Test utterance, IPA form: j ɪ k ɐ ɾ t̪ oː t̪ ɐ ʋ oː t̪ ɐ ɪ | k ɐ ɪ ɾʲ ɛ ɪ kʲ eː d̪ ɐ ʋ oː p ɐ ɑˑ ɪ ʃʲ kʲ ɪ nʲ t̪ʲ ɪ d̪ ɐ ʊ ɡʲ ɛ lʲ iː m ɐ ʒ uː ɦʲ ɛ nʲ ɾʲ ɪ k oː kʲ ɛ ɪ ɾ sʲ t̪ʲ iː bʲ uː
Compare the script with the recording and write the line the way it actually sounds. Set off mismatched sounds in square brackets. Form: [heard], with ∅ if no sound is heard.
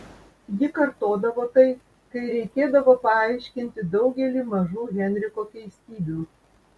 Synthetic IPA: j ɪ k ɐ ɾ t̪ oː [d̪] ɐ ʋ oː t̪ ɐ ɪ | k ɐ ɪ ɾʲ ɛ ɪ kʲ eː d̪ ɐ ʋ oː p ɐ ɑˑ ɪ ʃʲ kʲ ɪ nʲ t̪ʲ ɪ d̪ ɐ ʊ ɡʲ ɛ lʲ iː m ɐ ʒ uː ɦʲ ɛ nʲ ɾʲ ɪ k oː kʲ ɛ ɪ [∅] sʲ t̪ʲ iː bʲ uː